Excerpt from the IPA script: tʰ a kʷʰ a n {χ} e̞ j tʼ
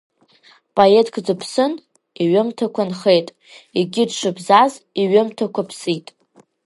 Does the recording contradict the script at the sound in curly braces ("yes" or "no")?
no